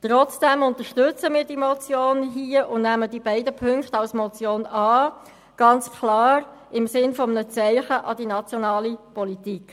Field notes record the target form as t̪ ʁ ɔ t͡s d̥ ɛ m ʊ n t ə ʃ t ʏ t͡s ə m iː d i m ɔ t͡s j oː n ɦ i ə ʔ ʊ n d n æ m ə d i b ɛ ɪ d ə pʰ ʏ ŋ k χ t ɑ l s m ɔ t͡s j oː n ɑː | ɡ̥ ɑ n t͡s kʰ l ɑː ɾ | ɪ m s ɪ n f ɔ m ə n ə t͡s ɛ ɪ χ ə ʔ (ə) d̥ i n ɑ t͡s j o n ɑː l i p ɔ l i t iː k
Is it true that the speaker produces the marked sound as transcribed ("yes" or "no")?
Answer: no